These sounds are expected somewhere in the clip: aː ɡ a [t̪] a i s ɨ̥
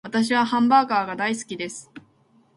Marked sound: incorrect: d̪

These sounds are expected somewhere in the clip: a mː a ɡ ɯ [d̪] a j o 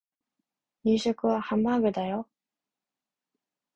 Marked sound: correct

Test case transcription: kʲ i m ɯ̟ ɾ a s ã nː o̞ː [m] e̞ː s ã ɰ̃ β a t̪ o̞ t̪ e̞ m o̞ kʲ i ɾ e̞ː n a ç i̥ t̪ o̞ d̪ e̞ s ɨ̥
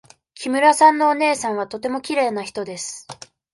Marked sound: incorrect: n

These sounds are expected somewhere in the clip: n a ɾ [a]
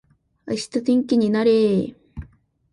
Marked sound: incorrect: e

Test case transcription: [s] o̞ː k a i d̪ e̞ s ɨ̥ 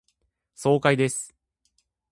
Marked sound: correct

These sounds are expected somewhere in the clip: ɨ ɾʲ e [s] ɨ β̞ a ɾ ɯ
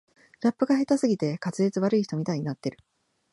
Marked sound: incorrect: t͡s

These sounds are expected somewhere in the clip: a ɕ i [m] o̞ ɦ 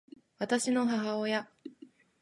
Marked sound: incorrect: n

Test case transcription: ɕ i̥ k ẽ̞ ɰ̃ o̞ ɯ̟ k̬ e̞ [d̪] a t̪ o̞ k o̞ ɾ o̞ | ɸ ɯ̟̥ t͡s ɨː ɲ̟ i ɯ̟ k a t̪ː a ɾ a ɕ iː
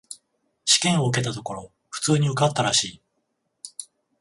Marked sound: incorrect: t̪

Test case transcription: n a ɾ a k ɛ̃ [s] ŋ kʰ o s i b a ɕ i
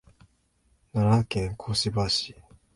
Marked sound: incorrect: none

